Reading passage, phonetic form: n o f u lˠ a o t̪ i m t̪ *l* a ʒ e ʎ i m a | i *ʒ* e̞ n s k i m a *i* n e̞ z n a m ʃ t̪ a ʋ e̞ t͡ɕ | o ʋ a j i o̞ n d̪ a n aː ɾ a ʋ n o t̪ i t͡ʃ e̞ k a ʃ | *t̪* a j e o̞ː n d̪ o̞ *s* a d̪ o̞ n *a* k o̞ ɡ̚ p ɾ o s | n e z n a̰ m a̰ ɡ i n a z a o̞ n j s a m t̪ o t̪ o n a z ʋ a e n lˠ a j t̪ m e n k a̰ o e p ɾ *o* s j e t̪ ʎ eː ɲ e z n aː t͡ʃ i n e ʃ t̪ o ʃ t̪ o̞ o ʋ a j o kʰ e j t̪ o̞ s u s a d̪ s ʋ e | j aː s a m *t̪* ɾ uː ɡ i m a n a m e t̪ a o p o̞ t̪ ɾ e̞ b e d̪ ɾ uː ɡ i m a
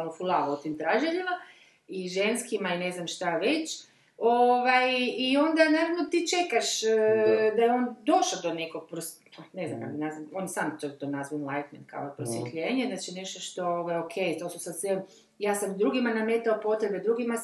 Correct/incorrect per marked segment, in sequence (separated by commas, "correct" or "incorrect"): incorrect, correct, correct, incorrect, incorrect, incorrect, correct, incorrect